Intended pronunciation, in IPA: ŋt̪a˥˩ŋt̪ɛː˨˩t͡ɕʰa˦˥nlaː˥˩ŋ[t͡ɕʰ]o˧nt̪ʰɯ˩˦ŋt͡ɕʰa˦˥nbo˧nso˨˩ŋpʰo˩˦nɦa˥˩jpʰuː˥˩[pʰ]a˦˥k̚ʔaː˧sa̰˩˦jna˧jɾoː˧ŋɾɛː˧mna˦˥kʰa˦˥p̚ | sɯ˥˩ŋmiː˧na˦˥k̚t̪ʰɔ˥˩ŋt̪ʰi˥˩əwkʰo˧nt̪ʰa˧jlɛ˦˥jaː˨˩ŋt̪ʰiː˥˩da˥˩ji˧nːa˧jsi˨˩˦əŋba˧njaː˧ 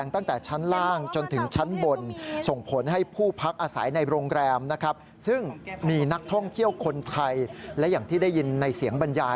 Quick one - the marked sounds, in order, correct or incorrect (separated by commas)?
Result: incorrect, correct